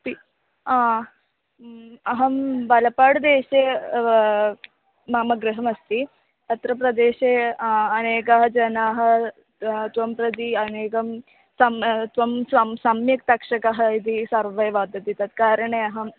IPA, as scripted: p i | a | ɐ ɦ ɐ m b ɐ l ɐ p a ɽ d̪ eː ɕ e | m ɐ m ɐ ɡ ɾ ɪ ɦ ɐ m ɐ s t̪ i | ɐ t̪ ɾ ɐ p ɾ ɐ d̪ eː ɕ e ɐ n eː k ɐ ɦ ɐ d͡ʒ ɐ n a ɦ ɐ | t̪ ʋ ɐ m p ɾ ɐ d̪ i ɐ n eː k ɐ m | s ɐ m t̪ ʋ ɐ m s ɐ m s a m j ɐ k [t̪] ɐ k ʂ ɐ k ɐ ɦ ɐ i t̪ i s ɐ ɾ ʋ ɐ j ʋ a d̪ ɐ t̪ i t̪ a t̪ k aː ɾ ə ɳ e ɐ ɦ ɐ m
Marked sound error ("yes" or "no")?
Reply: no